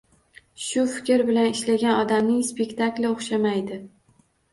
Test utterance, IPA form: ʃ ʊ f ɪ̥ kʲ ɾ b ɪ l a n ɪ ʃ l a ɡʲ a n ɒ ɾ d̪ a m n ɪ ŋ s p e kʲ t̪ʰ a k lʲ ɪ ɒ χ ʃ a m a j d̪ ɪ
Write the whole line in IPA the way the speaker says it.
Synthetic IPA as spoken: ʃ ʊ f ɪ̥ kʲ ɾ b ɪ l a n ɪ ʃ l a ɡʲ a n ɒ d̪ a m n ɪ ŋ s p e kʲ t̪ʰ a k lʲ ɪ o χ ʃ a m a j d̪ ɪ